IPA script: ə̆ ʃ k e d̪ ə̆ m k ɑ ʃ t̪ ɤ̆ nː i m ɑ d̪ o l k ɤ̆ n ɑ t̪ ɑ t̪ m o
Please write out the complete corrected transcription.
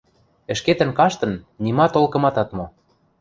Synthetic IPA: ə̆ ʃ k e t̪ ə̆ n k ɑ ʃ t̪ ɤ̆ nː i m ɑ t̪ o l k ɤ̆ m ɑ t̪ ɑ t̪ m o